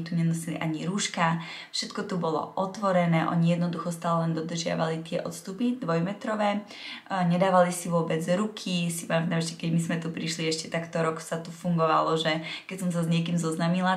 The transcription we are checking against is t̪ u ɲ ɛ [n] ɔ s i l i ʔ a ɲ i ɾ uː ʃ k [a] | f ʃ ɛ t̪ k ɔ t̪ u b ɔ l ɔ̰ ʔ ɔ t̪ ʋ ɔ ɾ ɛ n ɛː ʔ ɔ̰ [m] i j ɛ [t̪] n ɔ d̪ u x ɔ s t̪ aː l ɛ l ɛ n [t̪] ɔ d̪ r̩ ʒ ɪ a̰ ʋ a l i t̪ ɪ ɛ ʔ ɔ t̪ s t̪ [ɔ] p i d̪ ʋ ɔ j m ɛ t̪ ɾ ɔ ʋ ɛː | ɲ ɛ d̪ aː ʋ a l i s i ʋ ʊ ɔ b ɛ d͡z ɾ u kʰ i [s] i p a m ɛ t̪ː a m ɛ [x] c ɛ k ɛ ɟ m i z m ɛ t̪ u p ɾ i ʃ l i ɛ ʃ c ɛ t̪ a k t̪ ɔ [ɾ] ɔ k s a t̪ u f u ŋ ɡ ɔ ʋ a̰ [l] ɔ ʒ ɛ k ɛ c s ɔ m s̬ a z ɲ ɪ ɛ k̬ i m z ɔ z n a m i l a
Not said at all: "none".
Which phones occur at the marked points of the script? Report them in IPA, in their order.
n, a, ɲ, d̪, d̪, u, s, ʃ, ɾ, l

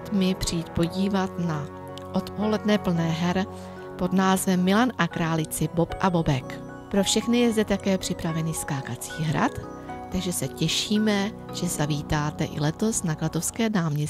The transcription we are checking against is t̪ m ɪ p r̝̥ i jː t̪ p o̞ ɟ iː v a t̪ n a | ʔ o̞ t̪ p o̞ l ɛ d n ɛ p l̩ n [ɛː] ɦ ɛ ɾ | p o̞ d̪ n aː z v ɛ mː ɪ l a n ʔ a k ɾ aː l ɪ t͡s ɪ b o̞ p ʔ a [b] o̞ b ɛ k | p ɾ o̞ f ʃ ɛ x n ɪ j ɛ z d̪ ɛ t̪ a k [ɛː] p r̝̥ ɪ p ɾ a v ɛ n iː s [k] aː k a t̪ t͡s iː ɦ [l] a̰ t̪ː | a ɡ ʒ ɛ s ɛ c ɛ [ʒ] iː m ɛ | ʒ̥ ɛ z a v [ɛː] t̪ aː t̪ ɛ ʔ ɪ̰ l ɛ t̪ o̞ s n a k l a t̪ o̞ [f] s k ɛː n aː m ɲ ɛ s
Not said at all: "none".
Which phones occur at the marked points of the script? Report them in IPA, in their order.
ɛː, b, ɛː, k, ɾ, ʃ, iː, f

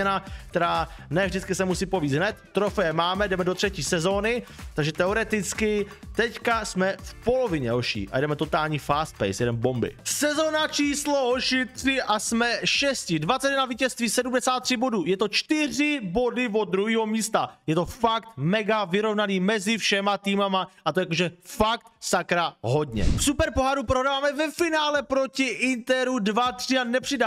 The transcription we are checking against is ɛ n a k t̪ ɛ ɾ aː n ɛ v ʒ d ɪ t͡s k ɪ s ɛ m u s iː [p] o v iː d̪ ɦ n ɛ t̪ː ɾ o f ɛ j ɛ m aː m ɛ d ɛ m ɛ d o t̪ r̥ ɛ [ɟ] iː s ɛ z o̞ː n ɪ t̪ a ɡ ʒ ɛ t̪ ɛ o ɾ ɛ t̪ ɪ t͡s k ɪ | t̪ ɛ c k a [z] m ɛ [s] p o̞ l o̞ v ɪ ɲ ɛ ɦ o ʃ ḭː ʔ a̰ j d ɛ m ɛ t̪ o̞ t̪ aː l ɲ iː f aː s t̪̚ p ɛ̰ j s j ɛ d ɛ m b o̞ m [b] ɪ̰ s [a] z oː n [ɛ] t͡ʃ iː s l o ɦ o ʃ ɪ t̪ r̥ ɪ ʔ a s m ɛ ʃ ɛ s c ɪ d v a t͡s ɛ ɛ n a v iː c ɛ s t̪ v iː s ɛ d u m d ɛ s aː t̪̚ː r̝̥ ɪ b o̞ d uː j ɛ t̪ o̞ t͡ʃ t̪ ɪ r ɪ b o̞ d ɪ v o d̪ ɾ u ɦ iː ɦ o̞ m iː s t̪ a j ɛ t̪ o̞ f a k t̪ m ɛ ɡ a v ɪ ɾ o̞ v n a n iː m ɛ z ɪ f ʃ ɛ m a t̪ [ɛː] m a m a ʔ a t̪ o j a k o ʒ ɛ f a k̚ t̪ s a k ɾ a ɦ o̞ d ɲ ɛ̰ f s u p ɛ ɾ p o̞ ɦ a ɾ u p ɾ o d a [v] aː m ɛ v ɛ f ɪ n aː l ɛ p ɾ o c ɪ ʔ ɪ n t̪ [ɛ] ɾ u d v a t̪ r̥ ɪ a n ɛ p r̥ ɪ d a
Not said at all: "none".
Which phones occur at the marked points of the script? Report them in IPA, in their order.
p, c, s, f, b, ɛ, a, iː, v, ɛ

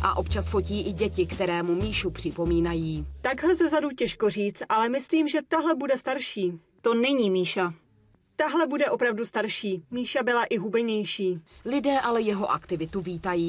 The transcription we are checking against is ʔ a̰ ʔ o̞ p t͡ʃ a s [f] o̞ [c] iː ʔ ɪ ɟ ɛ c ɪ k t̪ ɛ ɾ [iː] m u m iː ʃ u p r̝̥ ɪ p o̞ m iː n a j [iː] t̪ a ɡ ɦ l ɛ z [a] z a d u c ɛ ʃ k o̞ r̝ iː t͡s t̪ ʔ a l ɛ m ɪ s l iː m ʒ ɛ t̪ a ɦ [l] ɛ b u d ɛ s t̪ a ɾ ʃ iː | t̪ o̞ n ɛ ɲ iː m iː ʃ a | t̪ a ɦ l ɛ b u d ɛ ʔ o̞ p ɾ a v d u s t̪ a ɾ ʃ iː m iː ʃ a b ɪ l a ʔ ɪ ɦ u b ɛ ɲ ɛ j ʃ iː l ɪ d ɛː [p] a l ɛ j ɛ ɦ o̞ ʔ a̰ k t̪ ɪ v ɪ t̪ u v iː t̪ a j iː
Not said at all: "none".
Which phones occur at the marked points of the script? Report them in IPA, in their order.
f, c, ɛː, iː, ɛ, l, ʔ

